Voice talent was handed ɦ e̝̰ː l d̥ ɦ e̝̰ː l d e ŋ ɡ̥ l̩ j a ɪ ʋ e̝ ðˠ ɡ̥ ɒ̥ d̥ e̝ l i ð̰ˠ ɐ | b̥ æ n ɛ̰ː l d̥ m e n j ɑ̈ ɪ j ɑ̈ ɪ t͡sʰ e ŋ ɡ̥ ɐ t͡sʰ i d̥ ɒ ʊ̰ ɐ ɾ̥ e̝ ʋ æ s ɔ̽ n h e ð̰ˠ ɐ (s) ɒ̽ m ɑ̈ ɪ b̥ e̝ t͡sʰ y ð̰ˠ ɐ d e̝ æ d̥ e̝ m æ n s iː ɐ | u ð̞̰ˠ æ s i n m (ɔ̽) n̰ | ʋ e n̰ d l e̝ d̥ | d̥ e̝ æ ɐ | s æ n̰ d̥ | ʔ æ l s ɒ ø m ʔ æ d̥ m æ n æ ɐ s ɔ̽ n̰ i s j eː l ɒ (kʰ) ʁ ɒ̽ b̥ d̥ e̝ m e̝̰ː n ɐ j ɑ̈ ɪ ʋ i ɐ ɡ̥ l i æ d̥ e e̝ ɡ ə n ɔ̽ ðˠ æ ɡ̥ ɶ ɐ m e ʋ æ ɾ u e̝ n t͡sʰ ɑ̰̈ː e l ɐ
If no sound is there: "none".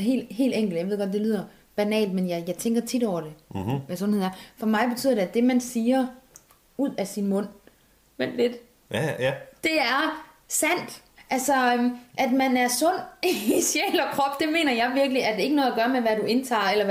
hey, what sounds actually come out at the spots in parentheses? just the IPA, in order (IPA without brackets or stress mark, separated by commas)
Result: f, ɔ̽, kʰ